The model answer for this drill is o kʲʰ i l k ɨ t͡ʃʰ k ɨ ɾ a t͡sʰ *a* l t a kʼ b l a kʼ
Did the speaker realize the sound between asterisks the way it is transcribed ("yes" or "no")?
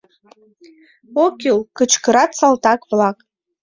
yes